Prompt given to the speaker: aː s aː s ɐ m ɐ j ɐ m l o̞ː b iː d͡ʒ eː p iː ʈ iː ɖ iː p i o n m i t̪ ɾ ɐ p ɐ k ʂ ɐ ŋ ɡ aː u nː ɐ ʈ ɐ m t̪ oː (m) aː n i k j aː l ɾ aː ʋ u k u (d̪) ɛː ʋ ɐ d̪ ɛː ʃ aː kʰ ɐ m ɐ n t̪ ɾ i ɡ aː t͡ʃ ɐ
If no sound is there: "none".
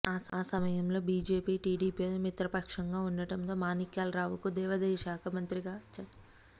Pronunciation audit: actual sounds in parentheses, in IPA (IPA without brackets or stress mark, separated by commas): m, d̪